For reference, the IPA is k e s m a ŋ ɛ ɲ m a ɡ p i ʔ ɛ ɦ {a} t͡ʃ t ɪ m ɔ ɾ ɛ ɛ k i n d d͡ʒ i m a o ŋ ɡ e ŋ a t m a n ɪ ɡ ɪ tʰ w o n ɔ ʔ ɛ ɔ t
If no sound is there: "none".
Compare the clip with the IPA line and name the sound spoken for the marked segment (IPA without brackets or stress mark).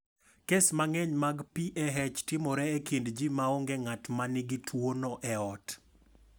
ɛ